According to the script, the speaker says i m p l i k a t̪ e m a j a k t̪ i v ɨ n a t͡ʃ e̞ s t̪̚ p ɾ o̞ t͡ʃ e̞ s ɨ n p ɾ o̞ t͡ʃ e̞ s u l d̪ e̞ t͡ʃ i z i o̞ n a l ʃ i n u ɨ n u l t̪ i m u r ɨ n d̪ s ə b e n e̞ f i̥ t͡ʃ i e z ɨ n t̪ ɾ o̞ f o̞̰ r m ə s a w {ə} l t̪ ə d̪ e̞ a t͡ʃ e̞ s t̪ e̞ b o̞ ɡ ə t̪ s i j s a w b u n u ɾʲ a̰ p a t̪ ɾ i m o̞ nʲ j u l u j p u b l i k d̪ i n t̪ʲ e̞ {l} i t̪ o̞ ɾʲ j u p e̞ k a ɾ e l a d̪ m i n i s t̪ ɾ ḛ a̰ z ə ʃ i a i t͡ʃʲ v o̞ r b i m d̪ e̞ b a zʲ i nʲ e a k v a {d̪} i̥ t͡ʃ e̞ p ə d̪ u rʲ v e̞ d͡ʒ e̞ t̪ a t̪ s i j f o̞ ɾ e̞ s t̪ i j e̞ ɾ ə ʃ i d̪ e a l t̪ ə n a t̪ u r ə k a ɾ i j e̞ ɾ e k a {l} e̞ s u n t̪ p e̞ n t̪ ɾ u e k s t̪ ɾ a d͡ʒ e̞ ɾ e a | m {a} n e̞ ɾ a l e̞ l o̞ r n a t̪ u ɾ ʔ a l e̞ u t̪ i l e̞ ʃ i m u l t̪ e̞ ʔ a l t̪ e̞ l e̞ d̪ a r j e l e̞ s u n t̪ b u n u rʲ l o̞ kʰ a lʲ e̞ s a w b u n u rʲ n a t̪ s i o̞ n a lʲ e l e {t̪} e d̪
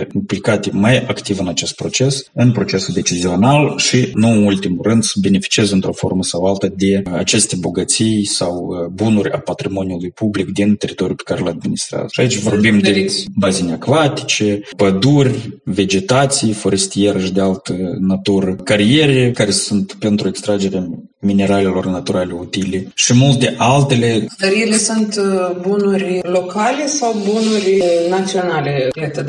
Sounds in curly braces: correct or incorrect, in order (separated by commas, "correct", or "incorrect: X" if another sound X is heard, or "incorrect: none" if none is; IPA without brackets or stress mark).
incorrect: a, incorrect: ɾ, incorrect: t̪, incorrect: ɾ, incorrect: i, correct